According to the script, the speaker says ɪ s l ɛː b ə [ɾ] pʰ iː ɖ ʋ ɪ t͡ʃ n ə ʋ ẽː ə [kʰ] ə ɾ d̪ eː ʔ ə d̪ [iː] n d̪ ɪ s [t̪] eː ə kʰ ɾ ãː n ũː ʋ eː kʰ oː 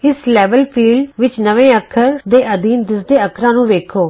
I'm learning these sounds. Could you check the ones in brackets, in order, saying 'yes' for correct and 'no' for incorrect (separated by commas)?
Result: no, yes, yes, no